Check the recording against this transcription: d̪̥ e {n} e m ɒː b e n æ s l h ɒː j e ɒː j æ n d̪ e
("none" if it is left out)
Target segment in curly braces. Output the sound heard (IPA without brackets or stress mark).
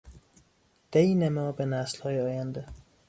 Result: n